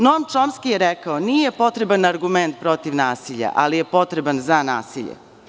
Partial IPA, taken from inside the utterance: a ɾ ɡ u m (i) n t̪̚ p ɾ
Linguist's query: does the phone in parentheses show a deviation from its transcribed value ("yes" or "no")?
yes